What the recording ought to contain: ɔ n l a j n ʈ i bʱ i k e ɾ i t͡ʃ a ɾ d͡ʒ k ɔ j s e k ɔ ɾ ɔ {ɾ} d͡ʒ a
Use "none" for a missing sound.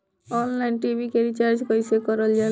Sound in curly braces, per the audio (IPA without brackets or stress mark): l